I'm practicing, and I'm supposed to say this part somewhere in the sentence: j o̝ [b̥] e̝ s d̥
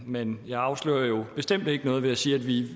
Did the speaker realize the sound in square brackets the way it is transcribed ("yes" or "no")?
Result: yes